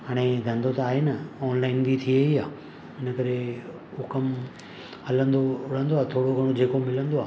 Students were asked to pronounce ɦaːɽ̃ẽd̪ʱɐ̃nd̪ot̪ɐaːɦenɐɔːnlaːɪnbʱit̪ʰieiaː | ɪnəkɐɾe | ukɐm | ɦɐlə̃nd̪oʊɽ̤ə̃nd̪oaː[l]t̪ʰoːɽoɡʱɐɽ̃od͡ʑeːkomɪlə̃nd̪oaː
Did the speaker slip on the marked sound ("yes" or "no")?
yes